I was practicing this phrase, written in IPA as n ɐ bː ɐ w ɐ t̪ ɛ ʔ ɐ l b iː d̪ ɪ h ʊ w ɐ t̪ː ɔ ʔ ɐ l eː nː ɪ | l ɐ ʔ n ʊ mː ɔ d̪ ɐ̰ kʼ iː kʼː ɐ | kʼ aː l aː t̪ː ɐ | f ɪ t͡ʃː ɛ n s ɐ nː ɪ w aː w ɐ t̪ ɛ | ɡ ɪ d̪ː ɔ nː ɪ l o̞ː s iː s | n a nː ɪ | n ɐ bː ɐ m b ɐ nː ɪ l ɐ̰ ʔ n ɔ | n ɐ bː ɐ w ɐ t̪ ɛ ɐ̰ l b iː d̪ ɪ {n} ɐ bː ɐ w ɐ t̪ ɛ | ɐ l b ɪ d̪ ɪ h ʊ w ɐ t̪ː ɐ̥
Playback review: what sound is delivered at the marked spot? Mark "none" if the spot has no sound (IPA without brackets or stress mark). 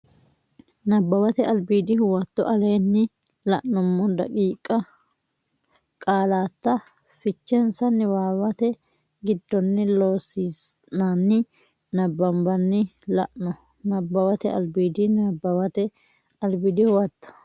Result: n